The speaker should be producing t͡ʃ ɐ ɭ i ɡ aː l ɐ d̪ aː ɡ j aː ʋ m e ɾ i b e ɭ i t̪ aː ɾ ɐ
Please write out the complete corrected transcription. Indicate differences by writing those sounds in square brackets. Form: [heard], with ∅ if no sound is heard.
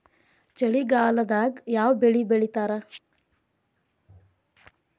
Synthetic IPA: t͡ʃ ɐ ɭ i ɡ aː l ɐ d̪ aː ɡ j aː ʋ [b] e [ɭ] i b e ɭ i t̪ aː ɾ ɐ